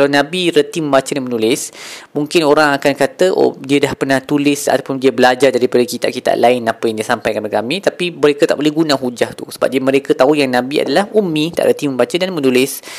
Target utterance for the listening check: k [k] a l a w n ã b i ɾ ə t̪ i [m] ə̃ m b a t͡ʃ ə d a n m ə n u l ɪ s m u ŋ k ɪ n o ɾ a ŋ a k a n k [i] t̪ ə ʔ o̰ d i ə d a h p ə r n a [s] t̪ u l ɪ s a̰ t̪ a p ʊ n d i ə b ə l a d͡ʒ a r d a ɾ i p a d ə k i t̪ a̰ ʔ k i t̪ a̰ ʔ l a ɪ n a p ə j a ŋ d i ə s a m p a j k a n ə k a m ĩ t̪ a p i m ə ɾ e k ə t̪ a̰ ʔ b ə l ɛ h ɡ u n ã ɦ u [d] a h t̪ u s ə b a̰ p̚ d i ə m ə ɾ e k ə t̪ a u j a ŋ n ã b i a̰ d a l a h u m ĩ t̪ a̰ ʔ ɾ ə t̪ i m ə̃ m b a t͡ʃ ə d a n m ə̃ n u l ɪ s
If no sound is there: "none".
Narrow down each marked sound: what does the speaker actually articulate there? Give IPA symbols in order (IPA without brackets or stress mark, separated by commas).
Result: k, m, a, h, d͡ʒ